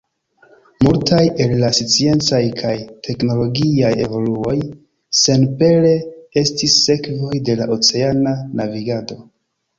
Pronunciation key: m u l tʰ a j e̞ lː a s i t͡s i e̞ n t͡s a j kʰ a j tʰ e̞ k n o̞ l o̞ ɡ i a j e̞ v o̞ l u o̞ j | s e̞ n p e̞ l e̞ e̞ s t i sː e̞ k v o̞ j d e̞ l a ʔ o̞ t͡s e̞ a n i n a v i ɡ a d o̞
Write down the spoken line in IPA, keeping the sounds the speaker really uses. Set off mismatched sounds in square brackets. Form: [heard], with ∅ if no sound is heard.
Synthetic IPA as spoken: m u l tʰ a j e̞ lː a s i t͡s i e̞ n t͡s a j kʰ a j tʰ e̞ k n o̞ l o̞ ɡ i a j e̞ v o̞ l u o̞ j | s e̞ n p e̞ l e̞ e̞ s t i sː e̞ k v o̞ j d e̞ l a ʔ o̞ t͡s e̞ a n [a] n a v i ɡ a d o̞

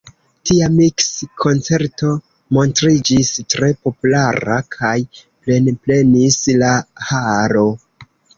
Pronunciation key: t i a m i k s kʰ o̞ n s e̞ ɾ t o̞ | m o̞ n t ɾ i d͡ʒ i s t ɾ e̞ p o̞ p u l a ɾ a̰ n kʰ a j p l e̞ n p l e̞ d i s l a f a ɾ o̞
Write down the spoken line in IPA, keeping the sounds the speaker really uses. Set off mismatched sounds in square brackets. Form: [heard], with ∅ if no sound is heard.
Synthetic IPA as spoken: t i a m i k s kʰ o̞ n [t͡s] e̞ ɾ t o̞ | m o̞ n t ɾ i d͡ʒ i s t ɾ e̞ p o̞ p u l a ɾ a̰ [∅] kʰ a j p l e̞ n p l e̞ [n] i s l a [h] a ɾ o̞

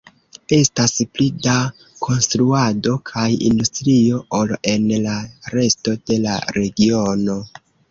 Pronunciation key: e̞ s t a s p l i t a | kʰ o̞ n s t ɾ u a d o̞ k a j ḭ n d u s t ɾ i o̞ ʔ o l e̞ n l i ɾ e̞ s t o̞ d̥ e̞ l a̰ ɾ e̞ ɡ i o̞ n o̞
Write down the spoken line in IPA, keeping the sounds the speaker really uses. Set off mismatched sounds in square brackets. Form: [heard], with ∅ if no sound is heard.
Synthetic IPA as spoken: e̞ s t a s p l i [d] a | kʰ o̞ n s t ɾ u a d o̞ [kʰ] a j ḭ n d u s t ɾ i o̞ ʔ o l e̞ n l [a] ɾ e̞ s t o̞ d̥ e̞ l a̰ ɾ e̞ ɡ i o̞ n o̞

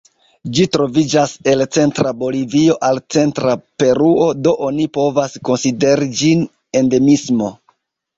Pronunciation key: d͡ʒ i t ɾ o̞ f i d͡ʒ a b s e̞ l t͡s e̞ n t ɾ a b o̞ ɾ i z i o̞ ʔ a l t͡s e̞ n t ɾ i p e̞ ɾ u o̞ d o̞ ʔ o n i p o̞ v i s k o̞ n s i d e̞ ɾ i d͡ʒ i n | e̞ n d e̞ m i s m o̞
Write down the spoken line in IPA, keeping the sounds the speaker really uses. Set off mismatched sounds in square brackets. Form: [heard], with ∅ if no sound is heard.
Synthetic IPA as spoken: d͡ʒ i t ɾ o̞ [v] i d͡ʒ a [∅] s e̞ l t͡s e̞ n t ɾ a b o̞ [l] i [v] i o̞ ʔ a l t͡s e̞ n t ɾ [a] p e̞ ɾ u o̞ d o̞ ʔ o n i p o̞ v [a] s k o̞ n s i d e̞ ɾ i d͡ʒ i n | e̞ n d e̞ m i s m o̞

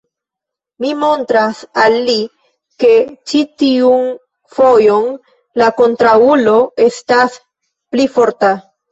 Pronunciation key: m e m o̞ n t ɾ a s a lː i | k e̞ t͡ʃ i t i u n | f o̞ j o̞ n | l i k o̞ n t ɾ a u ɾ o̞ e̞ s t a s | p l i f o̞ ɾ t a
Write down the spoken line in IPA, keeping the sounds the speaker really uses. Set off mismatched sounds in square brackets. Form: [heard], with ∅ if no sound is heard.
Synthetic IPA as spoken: m [i] m o̞ n t ɾ a s a lː i | k e̞ t͡ʃ i t i u n | f o̞ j o̞ n | l [a] k o̞ n t ɾ a u [l] o̞ e̞ s t a s | p l i f o̞ ɾ t a

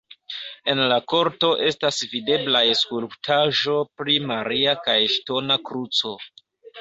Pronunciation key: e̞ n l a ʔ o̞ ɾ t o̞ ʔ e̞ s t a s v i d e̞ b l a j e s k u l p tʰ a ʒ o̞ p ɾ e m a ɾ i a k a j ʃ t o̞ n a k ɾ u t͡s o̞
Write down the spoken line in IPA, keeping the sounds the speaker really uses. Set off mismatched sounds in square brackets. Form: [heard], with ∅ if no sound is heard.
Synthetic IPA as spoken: e̞ n l a [k] o̞ ɾ t o̞ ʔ e̞ s t a s v i d e̞ b l a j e s k u l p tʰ a ʒ o̞ p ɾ [i] m a ɾ i a k a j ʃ t o̞ n a k ɾ u t͡s o̞

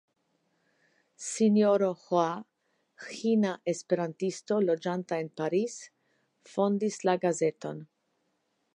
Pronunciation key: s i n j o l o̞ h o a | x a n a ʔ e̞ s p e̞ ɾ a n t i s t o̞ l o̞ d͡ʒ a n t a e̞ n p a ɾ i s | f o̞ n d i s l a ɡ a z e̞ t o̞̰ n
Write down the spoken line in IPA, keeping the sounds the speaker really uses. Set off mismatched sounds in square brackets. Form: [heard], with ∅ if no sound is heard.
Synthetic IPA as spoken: s i n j o [ɾ] o̞ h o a | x [i] n a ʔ e̞ s p e̞ ɾ a n t i s t o̞ l o̞ d͡ʒ a n t a e̞ n p a ɾ i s | f o̞ n d i s l a ɡ a z e̞ t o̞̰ n

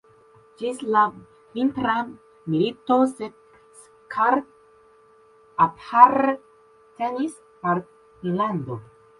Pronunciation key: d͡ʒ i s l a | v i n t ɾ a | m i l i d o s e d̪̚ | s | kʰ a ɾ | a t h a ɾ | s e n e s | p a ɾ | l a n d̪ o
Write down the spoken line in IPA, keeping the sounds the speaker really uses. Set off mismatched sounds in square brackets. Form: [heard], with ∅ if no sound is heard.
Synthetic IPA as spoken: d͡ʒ i s l a | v i n t ɾ a | m i l i [t] o s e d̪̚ | s | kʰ a ɾ | a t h a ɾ | [t] e n [i] s | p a ɾ | l a n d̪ o

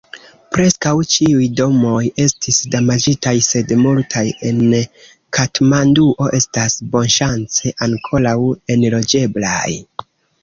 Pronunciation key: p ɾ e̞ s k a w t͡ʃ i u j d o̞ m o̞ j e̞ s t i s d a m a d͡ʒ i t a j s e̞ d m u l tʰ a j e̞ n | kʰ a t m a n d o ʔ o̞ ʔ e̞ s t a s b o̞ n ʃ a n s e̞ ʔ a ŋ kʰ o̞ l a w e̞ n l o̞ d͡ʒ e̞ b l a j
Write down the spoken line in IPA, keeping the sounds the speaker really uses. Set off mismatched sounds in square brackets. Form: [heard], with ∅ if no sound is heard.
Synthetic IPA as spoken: p ɾ e̞ s k a w t͡ʃ i u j d o̞ m o̞ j e̞ s t i s d a m a d͡ʒ i t a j s e̞ d m u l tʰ a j e̞ n | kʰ a t m a n d [u] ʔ o̞ ʔ e̞ s t a s b o̞ n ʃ a n [t͡s] e̞ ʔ a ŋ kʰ o̞ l a w e̞ n l o̞ d͡ʒ e̞ b l a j

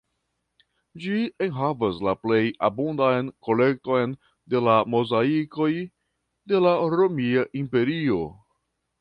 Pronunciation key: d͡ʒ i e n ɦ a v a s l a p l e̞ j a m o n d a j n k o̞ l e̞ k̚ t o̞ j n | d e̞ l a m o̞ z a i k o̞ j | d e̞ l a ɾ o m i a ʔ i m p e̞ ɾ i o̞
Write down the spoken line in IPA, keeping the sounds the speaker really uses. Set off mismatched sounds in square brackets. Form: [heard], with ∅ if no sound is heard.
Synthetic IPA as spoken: d͡ʒ i e n ɦ a v a s l a p l e̞ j a [b] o n d a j n k o̞ l e̞ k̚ t o̞ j n | d e̞ l a m o̞ z a i k o̞ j | d e̞ l a ɾ o m i a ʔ i m p e̞ ɾ i o̞

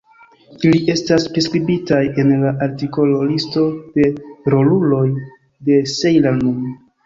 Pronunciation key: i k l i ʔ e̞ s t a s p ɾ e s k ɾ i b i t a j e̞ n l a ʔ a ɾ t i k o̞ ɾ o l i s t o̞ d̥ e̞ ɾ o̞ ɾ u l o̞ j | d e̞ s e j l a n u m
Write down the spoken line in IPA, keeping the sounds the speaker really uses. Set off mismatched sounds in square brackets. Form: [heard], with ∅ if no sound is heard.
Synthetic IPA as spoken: i [∅] l i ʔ e̞ s t a s p ɾ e s k ɾ i b i t a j e̞ n l a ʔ a ɾ t i k o̞ [l] o l i s t o̞ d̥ e̞ ɾ o̞ [l] u l o̞ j | d e̞ s e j l a n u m

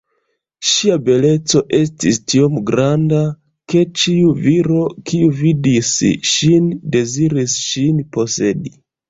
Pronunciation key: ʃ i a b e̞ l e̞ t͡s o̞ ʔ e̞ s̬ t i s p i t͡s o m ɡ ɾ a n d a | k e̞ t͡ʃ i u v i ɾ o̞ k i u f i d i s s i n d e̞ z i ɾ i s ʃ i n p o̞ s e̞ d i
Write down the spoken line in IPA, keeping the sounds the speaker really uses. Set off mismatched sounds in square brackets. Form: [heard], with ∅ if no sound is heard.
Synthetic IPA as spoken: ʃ i a b e̞ l e̞ t͡s o̞ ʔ e̞ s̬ t i s [t] i [∅] o m ɡ ɾ a n d a | k e̞ t͡ʃ i u v i ɾ o̞ k i u [v] i d i s [ʃ] i n d e̞ z i ɾ i s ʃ i n p o̞ s e̞ d i

